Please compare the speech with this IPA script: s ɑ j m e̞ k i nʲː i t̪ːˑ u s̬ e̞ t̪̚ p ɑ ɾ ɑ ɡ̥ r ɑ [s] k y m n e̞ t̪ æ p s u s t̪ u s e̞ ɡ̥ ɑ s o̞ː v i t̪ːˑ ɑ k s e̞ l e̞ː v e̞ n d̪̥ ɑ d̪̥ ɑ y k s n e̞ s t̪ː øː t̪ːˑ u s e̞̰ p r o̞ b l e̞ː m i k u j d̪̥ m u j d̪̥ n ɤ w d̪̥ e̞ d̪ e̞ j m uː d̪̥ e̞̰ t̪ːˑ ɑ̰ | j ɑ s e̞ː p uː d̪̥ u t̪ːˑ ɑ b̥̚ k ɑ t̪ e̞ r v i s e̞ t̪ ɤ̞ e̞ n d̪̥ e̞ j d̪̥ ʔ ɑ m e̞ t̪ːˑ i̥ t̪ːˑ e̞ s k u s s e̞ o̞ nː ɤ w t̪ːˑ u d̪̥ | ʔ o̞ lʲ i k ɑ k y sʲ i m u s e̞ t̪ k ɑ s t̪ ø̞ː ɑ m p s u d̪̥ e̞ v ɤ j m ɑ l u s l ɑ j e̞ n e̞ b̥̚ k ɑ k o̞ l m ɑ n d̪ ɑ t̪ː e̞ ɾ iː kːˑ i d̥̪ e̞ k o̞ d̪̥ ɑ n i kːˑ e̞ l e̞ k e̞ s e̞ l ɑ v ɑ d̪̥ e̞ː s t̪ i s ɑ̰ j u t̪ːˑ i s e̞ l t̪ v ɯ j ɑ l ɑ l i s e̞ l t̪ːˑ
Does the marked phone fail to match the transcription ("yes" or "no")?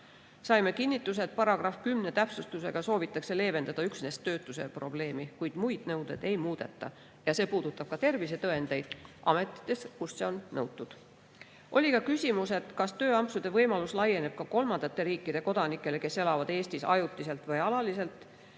yes